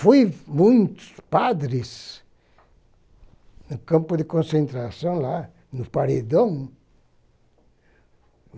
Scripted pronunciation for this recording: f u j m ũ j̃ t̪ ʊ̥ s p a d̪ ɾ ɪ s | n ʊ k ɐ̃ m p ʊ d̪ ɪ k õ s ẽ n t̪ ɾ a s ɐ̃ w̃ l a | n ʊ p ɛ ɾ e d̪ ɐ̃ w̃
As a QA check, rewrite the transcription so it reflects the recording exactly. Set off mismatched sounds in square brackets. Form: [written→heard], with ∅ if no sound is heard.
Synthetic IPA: f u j m ũ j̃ t̪ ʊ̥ s p a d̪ ɾ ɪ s | n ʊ k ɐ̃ m p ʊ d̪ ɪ k õ s ẽ n t̪ ɾ a s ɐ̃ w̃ l a | n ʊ p [ɛ→a] ɾ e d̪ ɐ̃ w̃